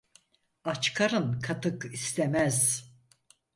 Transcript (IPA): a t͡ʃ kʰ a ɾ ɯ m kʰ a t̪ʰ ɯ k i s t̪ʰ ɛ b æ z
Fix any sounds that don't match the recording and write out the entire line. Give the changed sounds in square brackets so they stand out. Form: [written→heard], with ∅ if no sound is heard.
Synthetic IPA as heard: a t͡ʃ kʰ a ɾ ɯ [m→n] kʰ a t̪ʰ ɯ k i s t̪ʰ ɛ [b→m] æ z

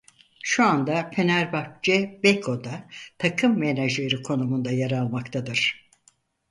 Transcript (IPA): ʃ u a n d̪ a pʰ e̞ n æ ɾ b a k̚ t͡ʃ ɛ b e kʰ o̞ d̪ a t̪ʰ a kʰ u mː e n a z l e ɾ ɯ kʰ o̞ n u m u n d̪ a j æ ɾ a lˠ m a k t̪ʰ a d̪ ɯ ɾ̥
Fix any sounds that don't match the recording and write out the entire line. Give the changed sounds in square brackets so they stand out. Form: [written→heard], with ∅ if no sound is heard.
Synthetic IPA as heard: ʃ u a n d̪ a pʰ e̞ n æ ɾ b a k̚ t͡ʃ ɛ b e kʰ o̞ d̪ a t̪ʰ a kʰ [u→ɯ] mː e n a [z→ʒ] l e ɾ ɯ kʰ o̞ n u m u n d̪ a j [æ→a] ɾ a lˠ m a k t̪ʰ a d̪ ɯ ɾ̥

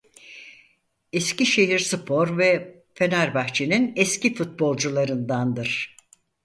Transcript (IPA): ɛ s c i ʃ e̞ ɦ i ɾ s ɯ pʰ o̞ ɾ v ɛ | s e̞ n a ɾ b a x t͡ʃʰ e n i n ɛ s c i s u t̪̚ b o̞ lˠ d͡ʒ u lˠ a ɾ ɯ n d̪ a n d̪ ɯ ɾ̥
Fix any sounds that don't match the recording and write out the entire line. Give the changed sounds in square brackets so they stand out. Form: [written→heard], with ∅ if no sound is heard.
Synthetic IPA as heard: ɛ s c i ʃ e̞ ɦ i ɾ s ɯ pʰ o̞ ɾ v ɛ | [s→f] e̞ n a ɾ b a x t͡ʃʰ e n i n ɛ s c i [s→f] u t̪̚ b o̞ lˠ d͡ʒ u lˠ a ɾ ɯ n d̪ a n d̪ ɯ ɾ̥

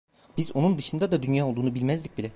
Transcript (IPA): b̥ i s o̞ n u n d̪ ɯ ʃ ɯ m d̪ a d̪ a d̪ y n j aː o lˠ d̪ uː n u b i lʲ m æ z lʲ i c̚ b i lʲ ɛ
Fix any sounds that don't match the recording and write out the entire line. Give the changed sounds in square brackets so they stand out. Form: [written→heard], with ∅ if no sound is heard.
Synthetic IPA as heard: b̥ i [s→z] o̞ n u n d̪ ɯ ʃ ɯ [m→n] d̪ a d̪ a d̪ y n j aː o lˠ d̪ uː n u b i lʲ m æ z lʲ i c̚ b i lʲ ɛ

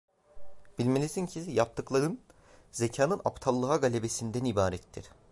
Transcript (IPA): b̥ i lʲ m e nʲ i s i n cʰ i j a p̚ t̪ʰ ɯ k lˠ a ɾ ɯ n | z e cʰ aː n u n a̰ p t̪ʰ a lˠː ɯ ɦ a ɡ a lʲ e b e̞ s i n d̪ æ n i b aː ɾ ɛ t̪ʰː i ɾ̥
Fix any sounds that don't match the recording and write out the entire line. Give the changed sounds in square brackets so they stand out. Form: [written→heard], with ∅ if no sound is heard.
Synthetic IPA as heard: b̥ i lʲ m e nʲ i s i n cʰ i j a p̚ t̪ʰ ɯ k lˠ a ɾ ɯ n | z e cʰ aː n [u→ɯ] n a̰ p t̪ʰ a lˠː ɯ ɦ a ɡ a lʲ e b e̞ s i n d̪ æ n i b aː ɾ ɛ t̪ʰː i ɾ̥

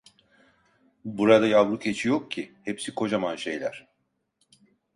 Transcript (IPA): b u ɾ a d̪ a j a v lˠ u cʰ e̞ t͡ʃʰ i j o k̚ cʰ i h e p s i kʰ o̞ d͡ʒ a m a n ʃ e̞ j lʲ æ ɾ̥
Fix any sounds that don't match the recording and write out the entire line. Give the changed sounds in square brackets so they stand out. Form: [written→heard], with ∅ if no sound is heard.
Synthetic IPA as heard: b u ɾ a d̪ a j a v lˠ u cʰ e̞ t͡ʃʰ i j o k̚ cʰ i h e p s i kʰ o̞ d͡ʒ a m a n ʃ e̞ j lʲ æ ɾ̥

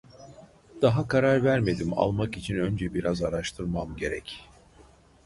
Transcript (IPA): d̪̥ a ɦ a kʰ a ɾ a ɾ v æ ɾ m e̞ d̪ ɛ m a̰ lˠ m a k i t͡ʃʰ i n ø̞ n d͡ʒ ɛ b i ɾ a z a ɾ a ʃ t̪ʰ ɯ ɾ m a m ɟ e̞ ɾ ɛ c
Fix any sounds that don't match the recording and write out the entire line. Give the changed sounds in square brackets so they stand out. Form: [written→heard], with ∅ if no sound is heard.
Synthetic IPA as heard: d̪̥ a ɦ a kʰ a ɾ a ɾ v æ ɾ m e̞ d̪ [ɛ→i] m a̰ lˠ m a k i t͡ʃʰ i n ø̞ n d͡ʒ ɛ b i ɾ a z a ɾ a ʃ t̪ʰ ɯ ɾ m a m ɟ e̞ ɾ ɛ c

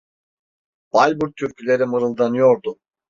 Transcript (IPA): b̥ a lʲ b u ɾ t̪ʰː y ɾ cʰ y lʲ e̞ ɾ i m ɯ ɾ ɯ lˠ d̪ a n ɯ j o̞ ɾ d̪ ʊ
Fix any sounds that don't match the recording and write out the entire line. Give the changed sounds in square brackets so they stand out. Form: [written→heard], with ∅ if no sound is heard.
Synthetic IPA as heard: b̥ a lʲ b u ɾ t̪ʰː y ɾ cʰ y lʲ e̞ ɾ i m ɯ ɾ ɯ lˠ d̪ a n ɯ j o̞ ɾ d̪ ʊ

